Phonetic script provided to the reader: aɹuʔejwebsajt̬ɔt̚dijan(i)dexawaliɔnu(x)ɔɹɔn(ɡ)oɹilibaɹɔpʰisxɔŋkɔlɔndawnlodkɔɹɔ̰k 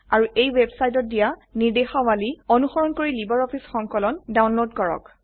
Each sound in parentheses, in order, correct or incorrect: correct, correct, incorrect: k

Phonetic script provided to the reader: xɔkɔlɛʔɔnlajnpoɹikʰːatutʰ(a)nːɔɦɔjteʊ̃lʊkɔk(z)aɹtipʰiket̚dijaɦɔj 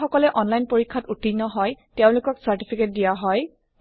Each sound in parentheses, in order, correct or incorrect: incorrect: i, incorrect: s

